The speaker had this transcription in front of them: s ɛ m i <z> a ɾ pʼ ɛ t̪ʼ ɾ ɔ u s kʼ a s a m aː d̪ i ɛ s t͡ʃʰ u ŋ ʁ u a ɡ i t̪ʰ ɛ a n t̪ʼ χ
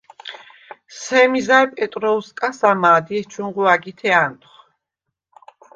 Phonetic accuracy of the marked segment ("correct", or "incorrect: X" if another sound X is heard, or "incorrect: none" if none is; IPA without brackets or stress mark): correct